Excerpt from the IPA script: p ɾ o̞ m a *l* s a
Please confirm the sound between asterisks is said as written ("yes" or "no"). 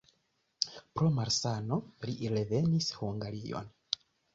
no